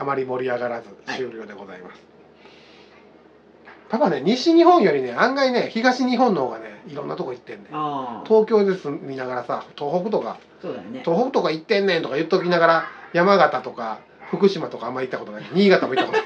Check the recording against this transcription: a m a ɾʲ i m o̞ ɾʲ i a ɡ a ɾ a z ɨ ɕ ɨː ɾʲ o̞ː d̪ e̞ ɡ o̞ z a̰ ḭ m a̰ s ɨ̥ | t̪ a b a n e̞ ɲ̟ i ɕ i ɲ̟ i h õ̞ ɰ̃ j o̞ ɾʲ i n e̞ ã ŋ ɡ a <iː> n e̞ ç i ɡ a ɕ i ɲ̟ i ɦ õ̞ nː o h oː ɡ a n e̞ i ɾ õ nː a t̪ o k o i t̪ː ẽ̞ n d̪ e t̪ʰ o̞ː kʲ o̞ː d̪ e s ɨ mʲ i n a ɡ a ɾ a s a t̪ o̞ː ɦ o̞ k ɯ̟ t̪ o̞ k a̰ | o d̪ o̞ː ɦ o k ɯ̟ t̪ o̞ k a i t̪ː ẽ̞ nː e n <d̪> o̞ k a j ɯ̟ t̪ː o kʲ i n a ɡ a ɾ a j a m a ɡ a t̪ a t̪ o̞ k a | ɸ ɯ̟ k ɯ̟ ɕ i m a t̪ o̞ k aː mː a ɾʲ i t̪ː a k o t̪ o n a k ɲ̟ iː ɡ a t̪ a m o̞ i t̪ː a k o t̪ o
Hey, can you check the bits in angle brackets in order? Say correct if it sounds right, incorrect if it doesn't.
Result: incorrect, incorrect

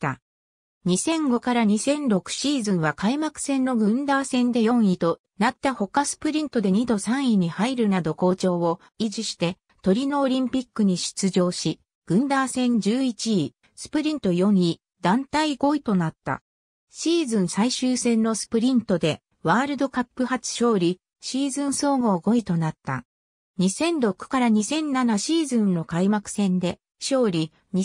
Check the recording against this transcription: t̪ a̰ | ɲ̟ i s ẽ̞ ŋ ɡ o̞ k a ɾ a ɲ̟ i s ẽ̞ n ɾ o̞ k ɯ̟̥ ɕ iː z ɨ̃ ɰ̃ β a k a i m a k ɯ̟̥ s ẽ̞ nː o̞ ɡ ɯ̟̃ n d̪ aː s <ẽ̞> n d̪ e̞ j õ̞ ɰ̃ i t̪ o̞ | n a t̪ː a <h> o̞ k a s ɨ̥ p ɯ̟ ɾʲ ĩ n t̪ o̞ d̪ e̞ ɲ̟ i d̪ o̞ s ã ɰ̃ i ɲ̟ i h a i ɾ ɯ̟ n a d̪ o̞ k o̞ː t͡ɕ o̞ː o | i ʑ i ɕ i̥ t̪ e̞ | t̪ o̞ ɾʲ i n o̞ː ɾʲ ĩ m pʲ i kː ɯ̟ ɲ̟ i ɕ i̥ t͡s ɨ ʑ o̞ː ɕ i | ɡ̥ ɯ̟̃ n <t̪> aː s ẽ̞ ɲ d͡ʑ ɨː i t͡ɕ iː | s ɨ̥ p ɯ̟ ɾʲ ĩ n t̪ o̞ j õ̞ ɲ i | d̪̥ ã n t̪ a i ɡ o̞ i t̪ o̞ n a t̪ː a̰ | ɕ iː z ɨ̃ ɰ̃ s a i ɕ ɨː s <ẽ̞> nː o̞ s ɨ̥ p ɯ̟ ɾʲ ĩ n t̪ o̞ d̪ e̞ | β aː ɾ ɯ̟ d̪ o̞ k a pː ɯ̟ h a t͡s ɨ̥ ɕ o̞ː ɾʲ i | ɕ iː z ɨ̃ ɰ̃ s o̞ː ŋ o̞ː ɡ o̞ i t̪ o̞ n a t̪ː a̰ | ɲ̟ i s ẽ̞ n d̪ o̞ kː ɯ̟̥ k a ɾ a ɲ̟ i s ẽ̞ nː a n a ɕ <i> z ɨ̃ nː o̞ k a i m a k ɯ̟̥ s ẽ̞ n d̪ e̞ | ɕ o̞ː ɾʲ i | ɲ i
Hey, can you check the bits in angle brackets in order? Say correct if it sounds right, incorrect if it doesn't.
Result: correct, correct, incorrect, correct, incorrect

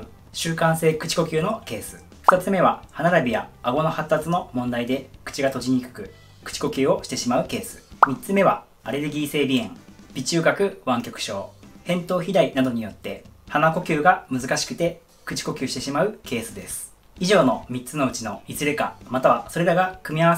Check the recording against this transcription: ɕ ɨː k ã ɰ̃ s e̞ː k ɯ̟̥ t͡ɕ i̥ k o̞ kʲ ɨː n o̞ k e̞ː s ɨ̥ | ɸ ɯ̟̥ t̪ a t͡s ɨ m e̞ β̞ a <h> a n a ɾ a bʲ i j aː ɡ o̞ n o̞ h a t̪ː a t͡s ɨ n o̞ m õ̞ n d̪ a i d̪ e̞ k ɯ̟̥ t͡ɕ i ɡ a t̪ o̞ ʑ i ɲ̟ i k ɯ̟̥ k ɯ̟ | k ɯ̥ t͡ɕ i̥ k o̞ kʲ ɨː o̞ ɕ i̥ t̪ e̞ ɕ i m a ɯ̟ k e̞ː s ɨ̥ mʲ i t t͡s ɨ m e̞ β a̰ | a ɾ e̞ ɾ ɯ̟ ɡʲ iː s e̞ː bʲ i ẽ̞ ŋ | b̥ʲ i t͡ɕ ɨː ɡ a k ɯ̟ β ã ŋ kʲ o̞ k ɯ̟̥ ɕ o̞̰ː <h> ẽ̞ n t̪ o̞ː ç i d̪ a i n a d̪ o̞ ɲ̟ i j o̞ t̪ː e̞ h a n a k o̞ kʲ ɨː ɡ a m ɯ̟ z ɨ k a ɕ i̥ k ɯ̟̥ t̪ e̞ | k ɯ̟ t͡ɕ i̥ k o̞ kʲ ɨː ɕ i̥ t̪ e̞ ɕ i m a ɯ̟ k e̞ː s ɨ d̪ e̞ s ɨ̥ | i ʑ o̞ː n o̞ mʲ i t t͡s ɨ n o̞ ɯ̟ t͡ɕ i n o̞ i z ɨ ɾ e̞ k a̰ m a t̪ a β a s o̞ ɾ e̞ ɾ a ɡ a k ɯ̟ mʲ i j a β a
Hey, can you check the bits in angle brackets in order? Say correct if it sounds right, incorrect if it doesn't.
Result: correct, correct

